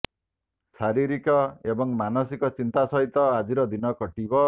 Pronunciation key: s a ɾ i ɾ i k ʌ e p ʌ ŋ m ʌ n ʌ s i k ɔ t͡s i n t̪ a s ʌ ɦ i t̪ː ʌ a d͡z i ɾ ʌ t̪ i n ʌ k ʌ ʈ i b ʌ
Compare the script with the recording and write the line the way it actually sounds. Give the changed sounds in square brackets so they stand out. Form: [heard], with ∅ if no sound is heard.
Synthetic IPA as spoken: s a ɾ i ɾ i k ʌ e [b] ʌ ŋ m [a] n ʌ s i k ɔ t͡s i n t̪ a s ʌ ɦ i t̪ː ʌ a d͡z i ɾ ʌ [d̪] i n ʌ k ʌ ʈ i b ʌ